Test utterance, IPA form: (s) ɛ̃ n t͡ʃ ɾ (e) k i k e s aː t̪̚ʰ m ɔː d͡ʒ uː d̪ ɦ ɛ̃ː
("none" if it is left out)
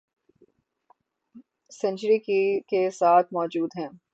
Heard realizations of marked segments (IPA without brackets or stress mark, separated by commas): s, i